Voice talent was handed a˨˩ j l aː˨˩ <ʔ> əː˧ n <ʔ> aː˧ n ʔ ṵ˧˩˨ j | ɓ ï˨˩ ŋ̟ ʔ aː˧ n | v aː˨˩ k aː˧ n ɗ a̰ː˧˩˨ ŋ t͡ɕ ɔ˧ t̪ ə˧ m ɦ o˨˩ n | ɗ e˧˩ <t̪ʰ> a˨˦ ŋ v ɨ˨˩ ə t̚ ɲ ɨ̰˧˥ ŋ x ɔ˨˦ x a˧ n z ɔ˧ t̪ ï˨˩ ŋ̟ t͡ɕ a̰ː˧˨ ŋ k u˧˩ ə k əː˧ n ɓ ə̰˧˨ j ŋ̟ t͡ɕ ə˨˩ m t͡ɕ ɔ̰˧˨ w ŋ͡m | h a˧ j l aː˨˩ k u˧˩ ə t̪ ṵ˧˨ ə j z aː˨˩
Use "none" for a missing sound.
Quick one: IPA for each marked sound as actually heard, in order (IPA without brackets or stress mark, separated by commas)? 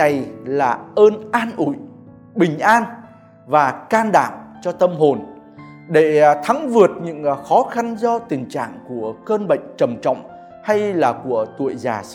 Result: ʔ, ʔ, t̪ʰ